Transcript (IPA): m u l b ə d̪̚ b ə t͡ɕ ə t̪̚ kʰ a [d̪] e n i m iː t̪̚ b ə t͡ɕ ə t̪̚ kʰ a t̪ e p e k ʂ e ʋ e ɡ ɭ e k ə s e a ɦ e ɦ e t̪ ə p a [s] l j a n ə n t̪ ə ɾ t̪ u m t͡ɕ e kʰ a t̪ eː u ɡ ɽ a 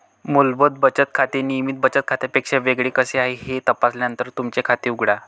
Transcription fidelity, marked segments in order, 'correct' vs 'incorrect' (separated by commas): incorrect, correct